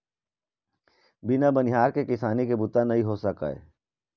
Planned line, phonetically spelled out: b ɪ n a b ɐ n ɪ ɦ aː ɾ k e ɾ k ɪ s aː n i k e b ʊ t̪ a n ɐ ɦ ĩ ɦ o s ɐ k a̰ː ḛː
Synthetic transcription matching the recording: b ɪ n a b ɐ n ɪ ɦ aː ɾ k e k ɪ s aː n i k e b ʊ t̪ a n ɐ ɦ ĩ ɦ o s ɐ k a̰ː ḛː